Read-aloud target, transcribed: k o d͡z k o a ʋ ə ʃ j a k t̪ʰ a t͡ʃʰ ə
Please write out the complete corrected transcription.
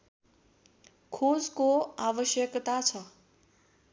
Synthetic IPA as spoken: kʰ o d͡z k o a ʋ ə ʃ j ə k t̪ a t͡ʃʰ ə